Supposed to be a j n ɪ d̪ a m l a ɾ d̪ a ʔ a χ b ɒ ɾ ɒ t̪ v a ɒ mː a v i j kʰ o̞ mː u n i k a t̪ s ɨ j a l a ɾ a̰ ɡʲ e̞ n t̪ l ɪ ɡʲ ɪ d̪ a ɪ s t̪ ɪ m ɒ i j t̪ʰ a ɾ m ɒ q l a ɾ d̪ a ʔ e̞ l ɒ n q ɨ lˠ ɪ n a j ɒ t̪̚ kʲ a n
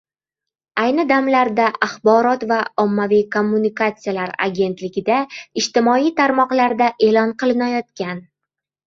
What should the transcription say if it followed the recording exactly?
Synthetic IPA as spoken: a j n ɪ d̪ a m l a ɾ d̪ a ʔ a χ b ɒ ɾ ɒ t̪ v a ɒ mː a v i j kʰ o̞ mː u n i k a t̪ s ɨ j a l a ɾ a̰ ɡʲ e̞ n t̪ l ɪ ɡʲ ɪ d̪ a ɪ ʃ t̪ ɪ m ɒ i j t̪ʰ a ɾ m ɒ q l a ɾ d̪ a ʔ e̞ l ɒ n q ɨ lˠ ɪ n a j ɒ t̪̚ kʲ a n